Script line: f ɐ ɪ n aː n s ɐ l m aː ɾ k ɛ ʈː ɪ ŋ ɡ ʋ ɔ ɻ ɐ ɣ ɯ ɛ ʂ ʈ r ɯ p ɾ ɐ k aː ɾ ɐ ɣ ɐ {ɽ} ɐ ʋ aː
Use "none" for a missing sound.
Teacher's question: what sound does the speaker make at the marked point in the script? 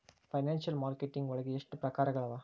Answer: ɭ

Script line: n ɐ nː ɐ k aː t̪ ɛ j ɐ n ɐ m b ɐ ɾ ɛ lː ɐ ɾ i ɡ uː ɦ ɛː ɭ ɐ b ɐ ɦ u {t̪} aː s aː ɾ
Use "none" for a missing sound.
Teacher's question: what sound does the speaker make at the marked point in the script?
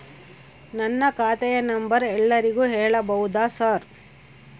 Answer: d̪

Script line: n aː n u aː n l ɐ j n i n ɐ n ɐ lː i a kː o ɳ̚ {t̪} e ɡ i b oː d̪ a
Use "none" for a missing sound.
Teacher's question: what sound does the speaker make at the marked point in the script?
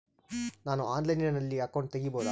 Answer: t̪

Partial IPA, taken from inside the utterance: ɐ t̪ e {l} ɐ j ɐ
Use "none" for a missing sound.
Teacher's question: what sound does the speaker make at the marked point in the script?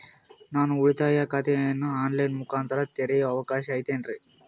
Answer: ɾ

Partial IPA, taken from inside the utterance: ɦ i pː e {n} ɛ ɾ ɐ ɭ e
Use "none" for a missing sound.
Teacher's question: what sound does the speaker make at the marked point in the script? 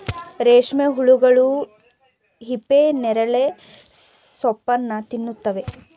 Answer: n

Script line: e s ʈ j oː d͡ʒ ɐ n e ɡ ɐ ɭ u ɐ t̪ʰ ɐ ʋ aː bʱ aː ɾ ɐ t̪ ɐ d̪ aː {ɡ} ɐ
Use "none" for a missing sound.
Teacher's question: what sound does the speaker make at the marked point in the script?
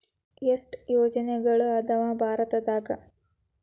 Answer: ɡ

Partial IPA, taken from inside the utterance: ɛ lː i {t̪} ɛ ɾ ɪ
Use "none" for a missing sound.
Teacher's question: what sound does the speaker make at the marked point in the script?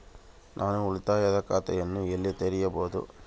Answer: t̪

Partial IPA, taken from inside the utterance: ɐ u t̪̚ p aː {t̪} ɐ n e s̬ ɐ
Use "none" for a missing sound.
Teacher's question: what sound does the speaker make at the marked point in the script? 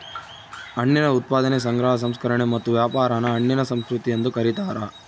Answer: d̪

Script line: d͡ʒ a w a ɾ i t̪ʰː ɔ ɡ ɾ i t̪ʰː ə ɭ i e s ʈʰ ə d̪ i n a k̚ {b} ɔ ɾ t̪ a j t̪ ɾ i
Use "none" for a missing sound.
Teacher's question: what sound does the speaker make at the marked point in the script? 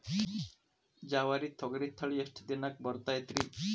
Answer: b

